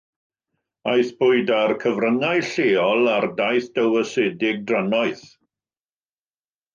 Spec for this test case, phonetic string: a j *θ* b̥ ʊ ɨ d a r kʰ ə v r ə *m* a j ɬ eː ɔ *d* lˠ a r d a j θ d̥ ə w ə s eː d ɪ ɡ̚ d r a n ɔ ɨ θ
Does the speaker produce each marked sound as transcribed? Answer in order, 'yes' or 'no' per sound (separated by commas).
yes, no, no